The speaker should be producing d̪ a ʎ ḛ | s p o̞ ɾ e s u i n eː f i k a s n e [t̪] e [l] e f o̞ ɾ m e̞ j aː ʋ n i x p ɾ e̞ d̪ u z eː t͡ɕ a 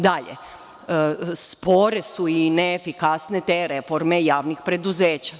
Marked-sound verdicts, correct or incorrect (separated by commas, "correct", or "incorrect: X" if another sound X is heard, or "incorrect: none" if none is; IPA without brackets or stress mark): correct, incorrect: ɾ